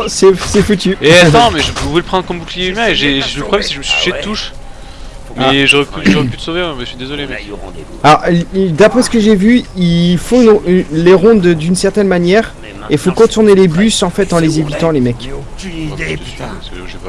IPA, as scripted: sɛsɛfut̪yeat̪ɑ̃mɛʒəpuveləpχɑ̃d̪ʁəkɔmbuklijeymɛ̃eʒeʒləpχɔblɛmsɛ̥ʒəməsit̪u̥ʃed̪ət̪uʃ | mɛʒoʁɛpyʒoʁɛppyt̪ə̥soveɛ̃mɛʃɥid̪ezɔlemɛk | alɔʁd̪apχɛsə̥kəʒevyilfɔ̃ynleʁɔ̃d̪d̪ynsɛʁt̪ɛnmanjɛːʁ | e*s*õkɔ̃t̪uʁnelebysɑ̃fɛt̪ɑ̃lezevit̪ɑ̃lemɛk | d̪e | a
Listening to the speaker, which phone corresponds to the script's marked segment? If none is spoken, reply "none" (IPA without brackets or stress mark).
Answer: f